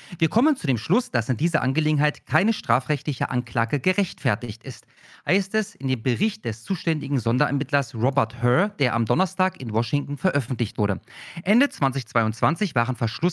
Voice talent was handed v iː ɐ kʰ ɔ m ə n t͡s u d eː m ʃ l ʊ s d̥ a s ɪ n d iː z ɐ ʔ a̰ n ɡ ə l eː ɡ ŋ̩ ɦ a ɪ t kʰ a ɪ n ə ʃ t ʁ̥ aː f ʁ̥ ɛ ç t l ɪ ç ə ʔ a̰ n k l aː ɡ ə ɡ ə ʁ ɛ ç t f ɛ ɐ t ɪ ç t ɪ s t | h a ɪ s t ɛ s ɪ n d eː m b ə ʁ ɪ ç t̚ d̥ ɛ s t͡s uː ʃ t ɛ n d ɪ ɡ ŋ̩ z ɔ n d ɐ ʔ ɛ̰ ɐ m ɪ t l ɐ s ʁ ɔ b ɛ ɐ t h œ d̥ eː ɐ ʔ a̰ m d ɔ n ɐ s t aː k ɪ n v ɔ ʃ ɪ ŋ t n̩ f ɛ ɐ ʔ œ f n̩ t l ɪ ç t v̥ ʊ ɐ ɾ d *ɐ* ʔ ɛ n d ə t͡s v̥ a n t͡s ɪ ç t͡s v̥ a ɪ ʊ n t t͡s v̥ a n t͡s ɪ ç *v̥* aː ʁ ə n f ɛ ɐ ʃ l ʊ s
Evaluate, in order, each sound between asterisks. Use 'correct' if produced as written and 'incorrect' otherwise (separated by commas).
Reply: incorrect, correct